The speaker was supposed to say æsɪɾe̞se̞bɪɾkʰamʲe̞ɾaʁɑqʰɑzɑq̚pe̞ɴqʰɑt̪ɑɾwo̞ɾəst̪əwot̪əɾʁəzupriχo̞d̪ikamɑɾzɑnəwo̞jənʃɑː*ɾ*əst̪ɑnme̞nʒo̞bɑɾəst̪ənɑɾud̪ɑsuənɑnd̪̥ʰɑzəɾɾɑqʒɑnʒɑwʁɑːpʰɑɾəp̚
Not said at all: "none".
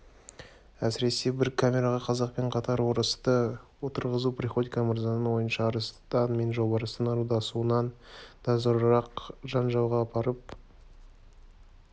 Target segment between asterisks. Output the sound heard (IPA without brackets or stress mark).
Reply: ɾ